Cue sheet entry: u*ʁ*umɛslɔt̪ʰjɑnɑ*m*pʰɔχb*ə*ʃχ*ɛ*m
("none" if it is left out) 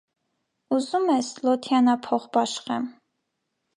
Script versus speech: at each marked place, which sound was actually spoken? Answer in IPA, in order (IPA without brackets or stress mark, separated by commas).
z, none, ɑ, ɛ